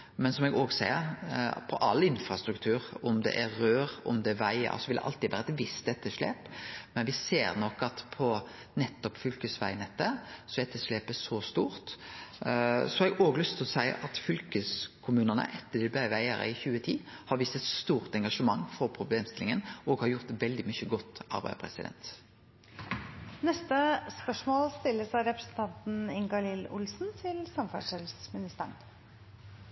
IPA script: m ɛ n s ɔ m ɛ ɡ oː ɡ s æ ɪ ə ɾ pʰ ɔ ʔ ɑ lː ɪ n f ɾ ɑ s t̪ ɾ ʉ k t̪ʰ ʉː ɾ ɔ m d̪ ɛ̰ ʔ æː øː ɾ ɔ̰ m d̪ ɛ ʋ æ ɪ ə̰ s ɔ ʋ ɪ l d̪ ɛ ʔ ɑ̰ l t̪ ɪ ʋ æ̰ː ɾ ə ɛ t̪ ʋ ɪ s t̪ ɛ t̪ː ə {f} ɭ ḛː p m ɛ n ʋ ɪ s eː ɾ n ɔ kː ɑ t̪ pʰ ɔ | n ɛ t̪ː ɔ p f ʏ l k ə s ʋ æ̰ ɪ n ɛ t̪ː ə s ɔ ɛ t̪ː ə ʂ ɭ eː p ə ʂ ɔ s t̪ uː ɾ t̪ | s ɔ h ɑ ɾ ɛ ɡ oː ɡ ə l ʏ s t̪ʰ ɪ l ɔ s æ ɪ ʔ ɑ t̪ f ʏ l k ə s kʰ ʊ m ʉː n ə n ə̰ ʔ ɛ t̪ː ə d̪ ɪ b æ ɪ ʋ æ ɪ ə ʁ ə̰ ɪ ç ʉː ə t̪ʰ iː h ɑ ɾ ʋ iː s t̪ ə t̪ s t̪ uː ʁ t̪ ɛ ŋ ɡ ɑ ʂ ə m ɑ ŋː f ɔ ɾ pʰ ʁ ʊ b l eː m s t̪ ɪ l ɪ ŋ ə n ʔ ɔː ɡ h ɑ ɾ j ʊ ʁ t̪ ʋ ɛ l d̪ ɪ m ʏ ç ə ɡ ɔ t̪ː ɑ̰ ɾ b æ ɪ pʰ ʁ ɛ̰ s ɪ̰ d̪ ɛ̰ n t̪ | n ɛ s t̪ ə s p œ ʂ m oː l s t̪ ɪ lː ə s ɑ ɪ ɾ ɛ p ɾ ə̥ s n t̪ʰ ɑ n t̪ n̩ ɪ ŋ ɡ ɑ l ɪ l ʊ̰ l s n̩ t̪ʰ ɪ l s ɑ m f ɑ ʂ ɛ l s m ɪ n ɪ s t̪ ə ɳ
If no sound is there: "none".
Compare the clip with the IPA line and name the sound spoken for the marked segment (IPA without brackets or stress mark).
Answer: ʂ